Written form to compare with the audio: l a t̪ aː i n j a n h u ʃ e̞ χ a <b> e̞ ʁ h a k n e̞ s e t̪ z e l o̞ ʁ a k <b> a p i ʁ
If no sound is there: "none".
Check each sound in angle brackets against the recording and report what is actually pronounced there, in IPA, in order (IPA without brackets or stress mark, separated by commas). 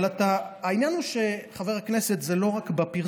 v, b